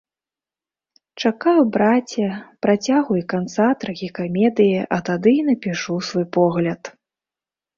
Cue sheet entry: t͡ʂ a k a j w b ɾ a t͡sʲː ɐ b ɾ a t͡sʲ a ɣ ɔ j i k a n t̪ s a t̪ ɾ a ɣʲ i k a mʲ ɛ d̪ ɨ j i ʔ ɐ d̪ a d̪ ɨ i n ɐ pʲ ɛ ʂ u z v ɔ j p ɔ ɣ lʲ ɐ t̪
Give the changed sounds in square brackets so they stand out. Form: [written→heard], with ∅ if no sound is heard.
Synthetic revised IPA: t͡ʂ a k a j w b ɾ a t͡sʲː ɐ [b→p] ɾ a t͡sʲ a ɣ [ɔ→u] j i k a n t̪ s a t̪ ɾ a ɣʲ i k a mʲ ɛ d̪ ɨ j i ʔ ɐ [d̪→t̪] a d̪ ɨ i n ɐ pʲ [ɛ→i] ʂ u [z→s] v ɔ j p ɔ ɣ lʲ ɐ t̪

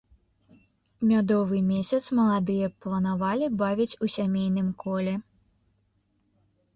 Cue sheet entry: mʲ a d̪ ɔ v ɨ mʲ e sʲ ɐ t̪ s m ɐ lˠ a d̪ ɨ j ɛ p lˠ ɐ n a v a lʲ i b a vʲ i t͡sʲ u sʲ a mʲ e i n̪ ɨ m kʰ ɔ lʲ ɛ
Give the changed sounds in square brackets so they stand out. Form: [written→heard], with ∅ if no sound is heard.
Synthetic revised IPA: mʲ a d̪ ɔ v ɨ mʲ e sʲ ɐ t̪ s m ɐ lˠ a d̪ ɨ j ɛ p lˠ ɐ n a v a lʲ i b a vʲ i t͡sʲ u sʲ a mʲ e [i→j] n̪ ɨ m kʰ ɔ lʲ ɛ

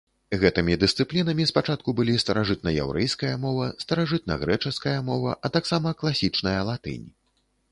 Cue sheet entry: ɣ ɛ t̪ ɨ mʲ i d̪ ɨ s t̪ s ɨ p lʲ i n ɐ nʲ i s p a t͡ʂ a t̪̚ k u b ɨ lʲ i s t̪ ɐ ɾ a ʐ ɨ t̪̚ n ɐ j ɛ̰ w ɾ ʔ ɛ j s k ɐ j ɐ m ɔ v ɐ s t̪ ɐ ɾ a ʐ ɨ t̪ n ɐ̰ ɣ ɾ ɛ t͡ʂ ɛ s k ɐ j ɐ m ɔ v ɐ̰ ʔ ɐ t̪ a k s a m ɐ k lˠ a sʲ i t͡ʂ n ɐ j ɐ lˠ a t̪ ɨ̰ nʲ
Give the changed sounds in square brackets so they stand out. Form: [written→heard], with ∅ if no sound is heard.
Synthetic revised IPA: ɣ ɛ t̪ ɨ mʲ i d̪ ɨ s t̪ s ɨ p lʲ i n ɐ [nʲ→mʲ] i s p a t͡ʂ a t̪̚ k u b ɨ lʲ i s t̪ ɐ ɾ a ʐ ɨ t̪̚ n ɐ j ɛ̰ w ɾ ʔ ɛ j s k ɐ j ɐ m ɔ v ɐ s t̪ ɐ ɾ a ʐ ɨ t̪ n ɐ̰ ɣ ɾ ɛ t͡ʂ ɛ s k ɐ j ɐ m ɔ v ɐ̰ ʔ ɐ t̪ a k s a m ɐ k lˠ a sʲ i t͡ʂ n ɐ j ɐ lˠ a t̪ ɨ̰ nʲ

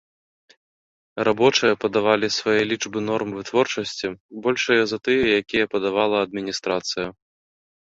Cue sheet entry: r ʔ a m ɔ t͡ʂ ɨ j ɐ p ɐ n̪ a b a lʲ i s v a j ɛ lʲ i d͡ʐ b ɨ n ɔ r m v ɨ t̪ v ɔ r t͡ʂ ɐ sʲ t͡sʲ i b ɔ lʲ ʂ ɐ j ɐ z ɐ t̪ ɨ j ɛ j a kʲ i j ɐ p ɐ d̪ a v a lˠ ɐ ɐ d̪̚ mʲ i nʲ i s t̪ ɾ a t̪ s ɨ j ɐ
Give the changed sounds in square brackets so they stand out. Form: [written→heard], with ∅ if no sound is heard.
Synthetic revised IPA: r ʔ a [m→b] ɔ t͡ʂ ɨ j ɐ p ɐ [n̪→d̪] a [b→v] a lʲ i s v a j ɛ lʲ i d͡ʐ b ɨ n ɔ r m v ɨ t̪ v ɔ r t͡ʂ ɐ sʲ t͡sʲ i b ɔ lʲ ʂ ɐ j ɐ z ɐ t̪ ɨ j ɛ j a kʲ i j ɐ p ɐ d̪ a v a lˠ ɐ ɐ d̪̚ mʲ i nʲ i s t̪ ɾ a t̪ s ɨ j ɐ

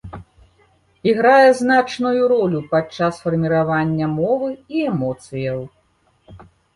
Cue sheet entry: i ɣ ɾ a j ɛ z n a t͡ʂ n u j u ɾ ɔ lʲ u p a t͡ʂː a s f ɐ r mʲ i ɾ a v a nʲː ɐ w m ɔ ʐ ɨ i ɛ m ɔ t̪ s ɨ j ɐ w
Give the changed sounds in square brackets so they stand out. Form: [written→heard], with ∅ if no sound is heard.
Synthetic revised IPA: i ɣ ɾ a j ɛ z n a t͡ʂ n u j u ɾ ɔ lʲ u p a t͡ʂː a s f ɐ r mʲ i ɾ a v a nʲː ɐ [w→∅] m ɔ [ʐ→v] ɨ i ɛ m ɔ t̪ s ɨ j ɐ w

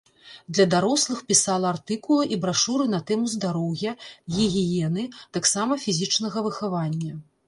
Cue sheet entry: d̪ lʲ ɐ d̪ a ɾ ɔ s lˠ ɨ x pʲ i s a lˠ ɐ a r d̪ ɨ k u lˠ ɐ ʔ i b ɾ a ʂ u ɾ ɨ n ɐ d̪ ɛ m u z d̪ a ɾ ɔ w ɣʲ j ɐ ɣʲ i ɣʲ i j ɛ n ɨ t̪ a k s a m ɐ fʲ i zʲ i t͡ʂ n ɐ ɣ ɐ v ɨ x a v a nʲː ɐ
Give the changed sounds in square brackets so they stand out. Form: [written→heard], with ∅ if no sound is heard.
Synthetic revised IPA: d̪ lʲ ɐ d̪ a ɾ ɔ s lˠ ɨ x pʲ i s a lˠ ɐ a r [d̪→t̪] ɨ k u lˠ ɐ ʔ i b ɾ a ʂ u ɾ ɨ n ɐ [d̪→t̪] ɛ m u z d̪ a ɾ ɔ w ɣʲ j ɐ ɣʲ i ɣʲ i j ɛ n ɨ t̪ a k s a m ɐ fʲ i zʲ i t͡ʂ n ɐ ɣ ɐ v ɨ x a v a nʲː ɐ

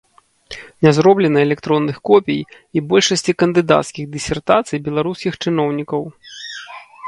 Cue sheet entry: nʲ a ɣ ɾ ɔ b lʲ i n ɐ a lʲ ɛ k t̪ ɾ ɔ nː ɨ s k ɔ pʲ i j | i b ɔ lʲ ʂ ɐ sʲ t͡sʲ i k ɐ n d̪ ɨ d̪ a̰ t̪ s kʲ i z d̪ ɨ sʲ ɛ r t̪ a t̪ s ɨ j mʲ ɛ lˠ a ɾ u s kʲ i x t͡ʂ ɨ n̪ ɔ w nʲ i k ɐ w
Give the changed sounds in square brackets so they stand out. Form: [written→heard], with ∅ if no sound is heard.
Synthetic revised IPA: nʲ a [ɣ→z] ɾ ɔ b lʲ [i→ɛ] n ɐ [a→ɛ] lʲ ɛ k t̪ ɾ ɔ nː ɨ [s→x] k ɔ pʲ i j | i b ɔ lʲ ʂ ɐ sʲ t͡sʲ i k ɐ n d̪ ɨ d̪ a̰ t̪ s kʲ i [z→ɣ] d̪ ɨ sʲ ɛ r t̪ a t̪ s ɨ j [mʲ→bʲ] ɛ lˠ a ɾ u s kʲ i x t͡ʂ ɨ n̪ ɔ w nʲ i k ɐ w

